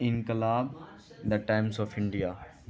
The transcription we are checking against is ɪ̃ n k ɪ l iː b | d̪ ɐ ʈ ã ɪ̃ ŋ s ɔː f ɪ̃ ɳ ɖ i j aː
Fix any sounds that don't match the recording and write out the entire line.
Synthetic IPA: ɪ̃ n k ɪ l aː b | d̪ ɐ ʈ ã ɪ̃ m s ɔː f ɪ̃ ɳ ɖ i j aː